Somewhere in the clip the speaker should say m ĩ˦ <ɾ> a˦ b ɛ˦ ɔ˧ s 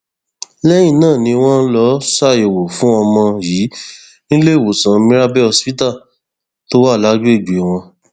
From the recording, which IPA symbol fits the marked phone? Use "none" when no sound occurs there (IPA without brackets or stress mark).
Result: ɾ